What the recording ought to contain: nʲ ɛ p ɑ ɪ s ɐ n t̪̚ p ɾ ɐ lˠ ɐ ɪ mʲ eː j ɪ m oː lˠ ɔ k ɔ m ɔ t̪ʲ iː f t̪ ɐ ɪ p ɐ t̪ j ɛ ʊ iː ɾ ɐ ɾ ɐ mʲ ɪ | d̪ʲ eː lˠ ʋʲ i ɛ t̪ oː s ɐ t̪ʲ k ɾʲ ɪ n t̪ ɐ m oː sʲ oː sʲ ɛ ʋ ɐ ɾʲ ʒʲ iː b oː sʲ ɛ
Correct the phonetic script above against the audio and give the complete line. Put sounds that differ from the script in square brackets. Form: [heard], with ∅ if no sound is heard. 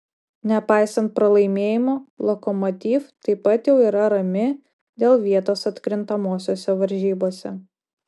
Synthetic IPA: nʲ ɛ p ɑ ɪ s ɐ n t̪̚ p ɾ ɐ lˠ ɐ ɪ mʲ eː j ɪ m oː lˠ ɔ k ɔ m ɔ t̪ʲ iː f t̪ ɐ ɪ p ɐ t̪ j ɛ ʊ iː ɾ ɐ ɾ ɐ mʲ ɪ | d̪ʲ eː lˠ ʋʲ i ɛ t̪ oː s ɐ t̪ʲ k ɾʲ ɪ n t̪ ɐ m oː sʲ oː sʲ ɛ ʋ ɐ ɾʲ ʒʲ iː b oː sʲ ɛ